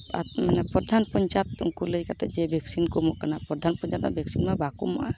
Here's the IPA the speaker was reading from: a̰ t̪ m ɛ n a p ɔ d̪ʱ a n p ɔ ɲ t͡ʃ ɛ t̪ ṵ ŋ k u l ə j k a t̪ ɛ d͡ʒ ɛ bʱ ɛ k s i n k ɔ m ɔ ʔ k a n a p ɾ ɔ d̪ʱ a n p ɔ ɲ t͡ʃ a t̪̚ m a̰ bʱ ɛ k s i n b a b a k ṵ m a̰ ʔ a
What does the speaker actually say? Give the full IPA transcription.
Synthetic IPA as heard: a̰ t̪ m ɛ n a p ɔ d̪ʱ a n p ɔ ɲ t͡ʃ a t̪ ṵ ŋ k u l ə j k a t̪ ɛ d͡ʒ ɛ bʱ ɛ k s i n k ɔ m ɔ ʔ k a n a p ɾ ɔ d̪ʱ a n p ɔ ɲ t͡ʃ a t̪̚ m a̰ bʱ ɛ k s i n m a b a k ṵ m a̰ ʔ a